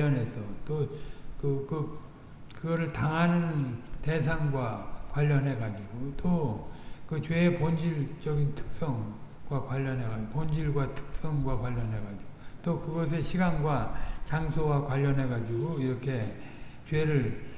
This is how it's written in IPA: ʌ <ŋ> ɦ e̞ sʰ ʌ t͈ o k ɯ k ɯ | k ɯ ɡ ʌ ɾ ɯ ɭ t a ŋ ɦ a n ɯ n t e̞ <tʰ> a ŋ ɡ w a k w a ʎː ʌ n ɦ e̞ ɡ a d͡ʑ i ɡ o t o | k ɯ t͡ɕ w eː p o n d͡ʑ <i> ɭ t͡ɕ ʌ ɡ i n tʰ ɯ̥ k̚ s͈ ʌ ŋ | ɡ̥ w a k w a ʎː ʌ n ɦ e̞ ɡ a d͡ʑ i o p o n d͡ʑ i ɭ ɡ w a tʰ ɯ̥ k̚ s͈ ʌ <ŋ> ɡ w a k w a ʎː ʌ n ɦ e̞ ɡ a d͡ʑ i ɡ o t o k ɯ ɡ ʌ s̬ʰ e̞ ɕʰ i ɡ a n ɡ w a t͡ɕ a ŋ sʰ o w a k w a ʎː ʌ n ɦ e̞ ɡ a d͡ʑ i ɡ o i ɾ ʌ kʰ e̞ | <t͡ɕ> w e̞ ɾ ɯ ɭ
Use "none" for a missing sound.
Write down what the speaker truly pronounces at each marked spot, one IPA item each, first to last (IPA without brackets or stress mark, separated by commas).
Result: n, sʰ, i, ŋ, t͡ɕ